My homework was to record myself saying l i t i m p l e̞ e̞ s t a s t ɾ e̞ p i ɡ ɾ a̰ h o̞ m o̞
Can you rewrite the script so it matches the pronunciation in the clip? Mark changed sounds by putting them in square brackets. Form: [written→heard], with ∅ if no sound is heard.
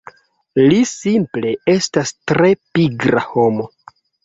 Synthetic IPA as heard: l i [t→s] i m p l e̞ e̞ s t a s t ɾ e̞ p i ɡ ɾ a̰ h o̞ m o̞